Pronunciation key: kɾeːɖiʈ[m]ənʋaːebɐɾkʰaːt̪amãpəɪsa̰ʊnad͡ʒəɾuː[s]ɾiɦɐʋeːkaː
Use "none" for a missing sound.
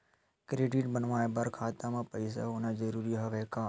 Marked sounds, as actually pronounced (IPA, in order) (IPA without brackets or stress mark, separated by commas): b, none